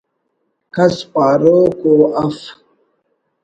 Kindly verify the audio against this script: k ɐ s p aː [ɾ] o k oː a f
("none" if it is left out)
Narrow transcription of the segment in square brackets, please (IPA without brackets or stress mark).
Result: ɾ